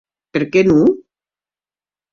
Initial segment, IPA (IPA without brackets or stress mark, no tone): p